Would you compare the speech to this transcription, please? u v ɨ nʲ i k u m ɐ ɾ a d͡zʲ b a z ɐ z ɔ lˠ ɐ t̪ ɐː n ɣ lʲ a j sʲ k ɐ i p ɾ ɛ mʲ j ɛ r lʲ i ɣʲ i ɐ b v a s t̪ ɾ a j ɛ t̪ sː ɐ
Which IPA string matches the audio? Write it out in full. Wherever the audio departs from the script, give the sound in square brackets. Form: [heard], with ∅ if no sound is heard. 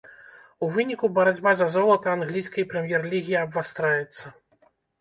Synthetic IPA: u v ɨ nʲ i k u [b] ɐ ɾ a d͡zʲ b a z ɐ z ɔ lˠ ɐ t̪ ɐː n ɣ lʲ [i] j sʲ k ɐ [j] p ɾ ɛ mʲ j ɛ r lʲ i ɣʲ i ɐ b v a s t̪ ɾ a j ɛ t̪ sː ɐ

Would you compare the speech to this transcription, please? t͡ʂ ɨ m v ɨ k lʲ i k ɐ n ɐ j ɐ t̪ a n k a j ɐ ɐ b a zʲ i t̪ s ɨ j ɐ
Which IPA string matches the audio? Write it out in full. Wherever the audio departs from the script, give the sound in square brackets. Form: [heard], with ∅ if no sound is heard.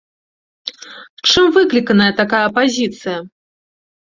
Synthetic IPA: t͡ʂ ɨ m v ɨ k lʲ i k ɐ n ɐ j ɐ t̪ a [∅] k a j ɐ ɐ [p] a zʲ i t̪ s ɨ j ɐ

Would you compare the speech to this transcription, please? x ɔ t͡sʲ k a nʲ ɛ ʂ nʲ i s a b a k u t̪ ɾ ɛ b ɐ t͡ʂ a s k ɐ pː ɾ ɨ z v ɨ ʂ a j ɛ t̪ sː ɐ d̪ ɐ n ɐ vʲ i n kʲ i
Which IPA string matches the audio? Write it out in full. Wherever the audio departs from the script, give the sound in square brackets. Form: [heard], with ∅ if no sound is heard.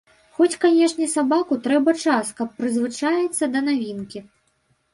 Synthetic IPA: x ɔ t͡sʲ k a nʲ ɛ ʂ nʲ [ɛ] s a b a k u t̪ ɾ ɛ b ɐ t͡ʂ a s k ɐ pː ɾ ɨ z v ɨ [t͡ʂ] a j ɛ t̪ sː ɐ d̪ ɐ n [a] vʲ i n kʲ i

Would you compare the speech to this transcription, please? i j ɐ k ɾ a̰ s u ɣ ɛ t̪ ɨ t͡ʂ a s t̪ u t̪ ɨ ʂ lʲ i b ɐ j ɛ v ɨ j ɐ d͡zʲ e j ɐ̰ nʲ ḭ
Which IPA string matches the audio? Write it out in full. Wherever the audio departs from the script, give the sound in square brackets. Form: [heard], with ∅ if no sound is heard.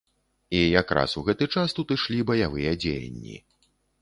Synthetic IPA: i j [a] k ɾ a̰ s u ɣ ɛ t̪ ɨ t͡ʂ a s t̪ u t̪ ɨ ʂ lʲ i b ɐ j [a] v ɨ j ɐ d͡zʲ e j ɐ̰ [nʲː] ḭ

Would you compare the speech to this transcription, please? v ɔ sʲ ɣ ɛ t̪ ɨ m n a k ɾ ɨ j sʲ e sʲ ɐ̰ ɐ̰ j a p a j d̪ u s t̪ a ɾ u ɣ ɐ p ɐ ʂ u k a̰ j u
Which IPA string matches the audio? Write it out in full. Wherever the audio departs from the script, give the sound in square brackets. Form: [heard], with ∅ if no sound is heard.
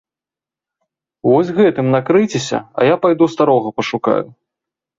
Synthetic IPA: v ɔ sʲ ɣ ɛ t̪ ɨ m n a k ɾ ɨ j [t͡sʲ] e sʲ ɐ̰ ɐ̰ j a p a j d̪ u s t̪ a ɾ [ɔ] ɣ ɐ p ɐ ʂ u k a̰ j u

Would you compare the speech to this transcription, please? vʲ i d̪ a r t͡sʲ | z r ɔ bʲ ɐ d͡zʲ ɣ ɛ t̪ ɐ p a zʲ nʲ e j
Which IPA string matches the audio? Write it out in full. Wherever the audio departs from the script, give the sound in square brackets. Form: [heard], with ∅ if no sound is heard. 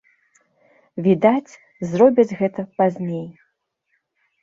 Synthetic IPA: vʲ i d̪ a [∅] t͡sʲ | z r ɔ bʲ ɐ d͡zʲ ɣ ɛ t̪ ɐ p a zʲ nʲ e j

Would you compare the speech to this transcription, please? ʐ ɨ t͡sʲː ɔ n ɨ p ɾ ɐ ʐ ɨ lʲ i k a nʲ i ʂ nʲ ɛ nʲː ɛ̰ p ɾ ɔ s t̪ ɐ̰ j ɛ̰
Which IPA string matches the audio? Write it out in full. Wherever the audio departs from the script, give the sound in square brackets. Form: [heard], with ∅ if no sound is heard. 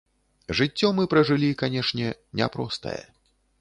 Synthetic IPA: ʐ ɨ t͡sʲː ɔ [m] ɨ p ɾ ɐ ʐ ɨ lʲ i k a nʲ [ɛ] ʂ nʲ ɛ [nʲ] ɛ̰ p ɾ ɔ s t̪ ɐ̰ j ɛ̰

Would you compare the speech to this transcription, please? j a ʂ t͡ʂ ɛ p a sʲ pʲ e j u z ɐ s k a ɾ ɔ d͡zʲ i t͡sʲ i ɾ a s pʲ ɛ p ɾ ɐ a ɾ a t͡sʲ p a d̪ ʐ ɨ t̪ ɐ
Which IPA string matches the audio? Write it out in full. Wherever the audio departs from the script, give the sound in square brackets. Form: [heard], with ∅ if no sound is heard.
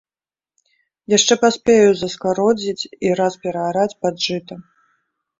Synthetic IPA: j a ʂ t͡ʂ ɛ p a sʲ pʲ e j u z ɐ s k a ɾ ɔ d͡zʲ i t͡sʲ i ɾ a s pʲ ɛ [∅] ɾ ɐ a ɾ a t͡sʲ p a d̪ ʐ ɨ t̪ ɐ

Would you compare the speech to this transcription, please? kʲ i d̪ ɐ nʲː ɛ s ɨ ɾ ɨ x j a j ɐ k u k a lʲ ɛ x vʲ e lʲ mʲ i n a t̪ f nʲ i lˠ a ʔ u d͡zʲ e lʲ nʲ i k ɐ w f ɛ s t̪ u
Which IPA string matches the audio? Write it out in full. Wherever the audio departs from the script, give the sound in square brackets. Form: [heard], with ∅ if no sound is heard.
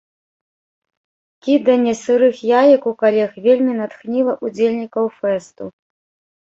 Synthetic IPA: kʲ i d̪ ɐ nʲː ɛ s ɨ ɾ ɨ x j a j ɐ k u k a lʲ ɛ x vʲ e lʲ mʲ i n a t̪ [x] nʲ i lˠ [ɐ] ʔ u d͡zʲ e lʲ nʲ i k ɐ w f ɛ s t̪ u

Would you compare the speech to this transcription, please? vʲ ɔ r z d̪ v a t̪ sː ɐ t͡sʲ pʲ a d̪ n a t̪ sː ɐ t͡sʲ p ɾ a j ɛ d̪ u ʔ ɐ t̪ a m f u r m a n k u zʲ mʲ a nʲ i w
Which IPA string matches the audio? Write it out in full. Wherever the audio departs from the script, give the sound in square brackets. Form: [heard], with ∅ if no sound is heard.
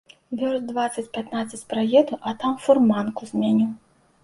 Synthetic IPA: vʲ ɔ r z d̪ v a t̪ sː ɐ t͡sʲ pʲ a [t̪] n a t̪ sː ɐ t͡sʲ p ɾ a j ɛ d̪ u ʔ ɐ t̪ a m f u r m a n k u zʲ mʲ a nʲ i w

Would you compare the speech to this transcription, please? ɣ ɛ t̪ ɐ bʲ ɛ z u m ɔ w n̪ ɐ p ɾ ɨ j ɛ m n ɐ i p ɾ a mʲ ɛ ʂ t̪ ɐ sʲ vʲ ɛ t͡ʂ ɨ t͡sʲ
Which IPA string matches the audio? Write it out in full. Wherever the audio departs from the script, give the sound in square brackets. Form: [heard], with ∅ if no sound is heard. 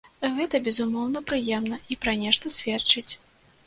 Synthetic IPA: ɣ ɛ t̪ ɐ bʲ ɛ z u m ɔ w n̪ ɐ p ɾ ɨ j ɛ m n ɐ i p ɾ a [nʲ] ɛ ʂ t̪ ɐ sʲ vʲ ɛ t͡ʂ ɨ t͡sʲ

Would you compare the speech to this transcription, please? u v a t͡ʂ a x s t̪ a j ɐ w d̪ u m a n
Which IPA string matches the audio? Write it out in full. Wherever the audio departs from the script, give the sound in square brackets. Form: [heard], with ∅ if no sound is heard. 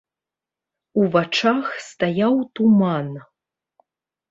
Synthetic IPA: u v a t͡ʂ a x s t̪ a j [a] w [t̪] u m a n

